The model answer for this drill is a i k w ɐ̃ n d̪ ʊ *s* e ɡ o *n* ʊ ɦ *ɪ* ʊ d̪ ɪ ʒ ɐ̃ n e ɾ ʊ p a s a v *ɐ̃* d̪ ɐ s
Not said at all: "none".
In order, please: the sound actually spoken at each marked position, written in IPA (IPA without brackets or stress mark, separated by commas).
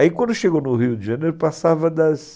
ʃ, n, i, ɐ